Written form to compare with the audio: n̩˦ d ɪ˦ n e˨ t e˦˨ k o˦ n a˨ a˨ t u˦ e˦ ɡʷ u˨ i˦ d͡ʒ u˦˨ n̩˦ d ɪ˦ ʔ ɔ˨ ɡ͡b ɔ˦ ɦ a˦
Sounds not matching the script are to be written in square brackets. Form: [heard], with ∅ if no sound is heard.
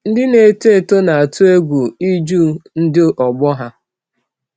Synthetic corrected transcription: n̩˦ d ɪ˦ n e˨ t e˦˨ [t] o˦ n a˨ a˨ t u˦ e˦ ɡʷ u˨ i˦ d͡ʒ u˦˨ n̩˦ d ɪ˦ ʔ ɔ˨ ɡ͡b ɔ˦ ɦ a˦